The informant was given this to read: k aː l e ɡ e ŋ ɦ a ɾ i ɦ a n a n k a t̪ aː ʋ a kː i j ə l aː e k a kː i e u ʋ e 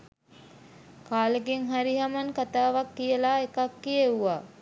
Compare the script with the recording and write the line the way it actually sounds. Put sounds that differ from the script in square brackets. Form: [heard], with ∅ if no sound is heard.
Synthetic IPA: k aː l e ɡ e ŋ ɦ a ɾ i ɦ a [m] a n k a t̪ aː ʋ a kː i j ə l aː e k a kː i e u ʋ [a]